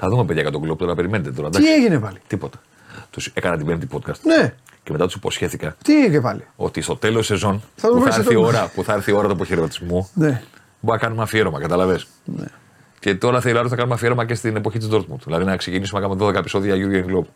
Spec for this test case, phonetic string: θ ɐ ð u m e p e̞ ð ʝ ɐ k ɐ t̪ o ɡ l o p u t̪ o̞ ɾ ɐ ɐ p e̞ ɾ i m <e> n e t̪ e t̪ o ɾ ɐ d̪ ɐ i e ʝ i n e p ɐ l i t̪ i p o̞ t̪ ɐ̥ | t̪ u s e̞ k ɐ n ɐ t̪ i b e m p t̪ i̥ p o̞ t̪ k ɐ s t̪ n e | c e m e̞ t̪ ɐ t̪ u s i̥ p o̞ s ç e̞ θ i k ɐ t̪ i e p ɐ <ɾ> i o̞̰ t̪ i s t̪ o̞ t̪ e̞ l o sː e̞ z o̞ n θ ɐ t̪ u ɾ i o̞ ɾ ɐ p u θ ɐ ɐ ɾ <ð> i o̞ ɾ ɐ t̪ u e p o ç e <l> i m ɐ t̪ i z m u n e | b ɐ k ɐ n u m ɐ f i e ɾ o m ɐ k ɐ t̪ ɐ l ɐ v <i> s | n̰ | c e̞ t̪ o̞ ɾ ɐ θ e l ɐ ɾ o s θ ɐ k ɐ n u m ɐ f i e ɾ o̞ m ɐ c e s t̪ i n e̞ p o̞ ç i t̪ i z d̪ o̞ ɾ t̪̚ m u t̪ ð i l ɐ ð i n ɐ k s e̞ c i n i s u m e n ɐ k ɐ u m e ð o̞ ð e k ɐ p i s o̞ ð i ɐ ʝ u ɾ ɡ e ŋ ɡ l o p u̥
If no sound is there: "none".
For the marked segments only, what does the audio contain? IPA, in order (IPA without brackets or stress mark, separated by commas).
e, l, θ, ɾ, e